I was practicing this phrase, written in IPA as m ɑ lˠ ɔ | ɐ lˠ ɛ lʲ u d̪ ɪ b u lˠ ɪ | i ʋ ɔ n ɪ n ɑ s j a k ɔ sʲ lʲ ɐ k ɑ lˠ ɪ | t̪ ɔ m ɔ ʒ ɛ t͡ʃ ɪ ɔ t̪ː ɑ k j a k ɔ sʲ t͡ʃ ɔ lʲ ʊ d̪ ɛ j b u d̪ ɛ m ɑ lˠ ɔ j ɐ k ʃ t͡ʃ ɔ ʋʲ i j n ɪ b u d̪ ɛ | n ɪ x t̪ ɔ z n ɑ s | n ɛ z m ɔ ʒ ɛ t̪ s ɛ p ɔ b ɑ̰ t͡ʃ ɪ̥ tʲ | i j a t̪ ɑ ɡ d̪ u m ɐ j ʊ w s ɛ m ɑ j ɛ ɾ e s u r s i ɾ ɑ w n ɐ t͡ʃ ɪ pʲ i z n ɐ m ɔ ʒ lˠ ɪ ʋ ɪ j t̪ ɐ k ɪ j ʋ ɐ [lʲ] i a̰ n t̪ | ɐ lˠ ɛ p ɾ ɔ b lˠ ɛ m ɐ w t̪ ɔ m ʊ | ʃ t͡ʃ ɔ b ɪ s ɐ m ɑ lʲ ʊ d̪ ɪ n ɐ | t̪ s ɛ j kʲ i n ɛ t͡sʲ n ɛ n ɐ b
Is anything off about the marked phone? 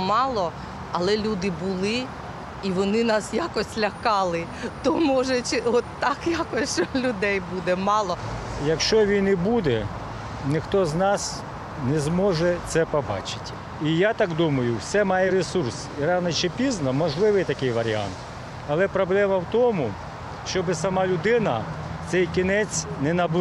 yes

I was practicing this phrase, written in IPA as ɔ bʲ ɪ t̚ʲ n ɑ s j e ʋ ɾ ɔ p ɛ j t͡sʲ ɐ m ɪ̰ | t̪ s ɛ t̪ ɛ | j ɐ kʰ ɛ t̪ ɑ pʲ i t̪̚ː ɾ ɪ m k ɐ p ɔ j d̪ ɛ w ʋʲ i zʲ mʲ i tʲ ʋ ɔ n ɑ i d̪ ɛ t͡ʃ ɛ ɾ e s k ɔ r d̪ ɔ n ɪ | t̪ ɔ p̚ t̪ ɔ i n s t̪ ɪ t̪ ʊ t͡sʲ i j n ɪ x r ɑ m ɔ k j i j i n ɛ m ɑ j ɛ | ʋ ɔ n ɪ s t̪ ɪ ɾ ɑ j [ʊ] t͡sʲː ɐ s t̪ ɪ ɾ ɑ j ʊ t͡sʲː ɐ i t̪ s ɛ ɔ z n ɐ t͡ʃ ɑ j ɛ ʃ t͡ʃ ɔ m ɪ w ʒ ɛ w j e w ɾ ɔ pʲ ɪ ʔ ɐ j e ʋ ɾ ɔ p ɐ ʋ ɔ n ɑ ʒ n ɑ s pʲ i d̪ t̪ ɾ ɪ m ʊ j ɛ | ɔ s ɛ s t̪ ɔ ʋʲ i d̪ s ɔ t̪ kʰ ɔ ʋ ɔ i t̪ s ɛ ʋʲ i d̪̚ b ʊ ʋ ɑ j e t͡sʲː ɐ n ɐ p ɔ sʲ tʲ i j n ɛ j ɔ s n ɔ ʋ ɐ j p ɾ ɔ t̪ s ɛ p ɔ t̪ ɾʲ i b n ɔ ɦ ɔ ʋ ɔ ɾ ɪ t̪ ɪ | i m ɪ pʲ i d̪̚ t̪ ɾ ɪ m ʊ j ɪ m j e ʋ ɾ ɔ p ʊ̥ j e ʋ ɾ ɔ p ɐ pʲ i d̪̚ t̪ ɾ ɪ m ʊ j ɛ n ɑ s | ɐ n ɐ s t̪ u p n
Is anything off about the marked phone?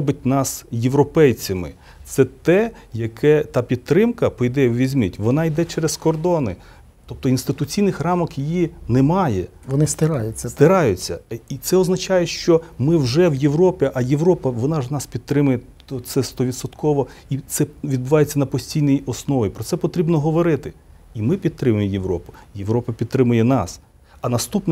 no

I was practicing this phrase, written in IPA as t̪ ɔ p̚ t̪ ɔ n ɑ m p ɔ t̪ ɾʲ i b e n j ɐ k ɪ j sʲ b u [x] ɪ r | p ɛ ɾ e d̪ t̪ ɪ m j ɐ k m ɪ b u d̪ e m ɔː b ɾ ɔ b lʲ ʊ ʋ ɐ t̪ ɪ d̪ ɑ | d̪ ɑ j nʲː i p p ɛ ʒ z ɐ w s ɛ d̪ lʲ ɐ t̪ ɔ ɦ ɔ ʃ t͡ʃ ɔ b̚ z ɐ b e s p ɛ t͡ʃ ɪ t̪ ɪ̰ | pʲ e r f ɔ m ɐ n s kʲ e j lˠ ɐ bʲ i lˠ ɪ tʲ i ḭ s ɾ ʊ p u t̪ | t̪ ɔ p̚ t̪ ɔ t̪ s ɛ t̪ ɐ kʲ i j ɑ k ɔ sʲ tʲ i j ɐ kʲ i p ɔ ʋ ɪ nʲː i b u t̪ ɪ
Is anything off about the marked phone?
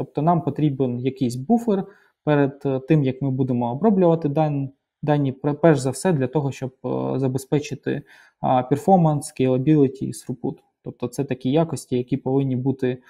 yes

